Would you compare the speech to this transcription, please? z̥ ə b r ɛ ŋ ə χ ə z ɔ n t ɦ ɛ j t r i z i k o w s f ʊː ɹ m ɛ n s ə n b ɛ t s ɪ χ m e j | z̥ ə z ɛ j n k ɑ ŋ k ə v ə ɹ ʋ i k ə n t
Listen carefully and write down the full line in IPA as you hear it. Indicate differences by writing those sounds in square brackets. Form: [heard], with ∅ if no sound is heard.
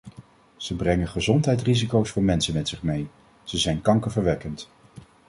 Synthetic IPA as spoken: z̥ ə b r ɛ ŋ ə χ ə z ɔ n t ɦ ɛ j t r i z i k o w s f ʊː ɹ m ɛ n s ə n [m] ɛ t s ɪ χ m e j | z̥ ə z ɛ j n k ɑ ŋ k ə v ə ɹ ʋ [ɛ] k ə n t